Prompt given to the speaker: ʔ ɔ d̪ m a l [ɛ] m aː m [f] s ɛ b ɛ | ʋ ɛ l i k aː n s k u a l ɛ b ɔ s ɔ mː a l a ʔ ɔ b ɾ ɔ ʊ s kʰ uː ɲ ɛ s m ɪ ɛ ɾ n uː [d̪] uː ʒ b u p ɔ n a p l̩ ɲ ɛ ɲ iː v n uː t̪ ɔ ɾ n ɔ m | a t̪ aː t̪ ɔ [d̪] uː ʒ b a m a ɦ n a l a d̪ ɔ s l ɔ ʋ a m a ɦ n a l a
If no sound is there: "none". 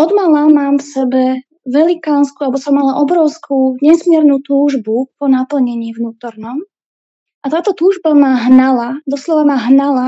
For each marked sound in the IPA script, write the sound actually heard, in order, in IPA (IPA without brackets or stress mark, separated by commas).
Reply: a, f, t̪, t̪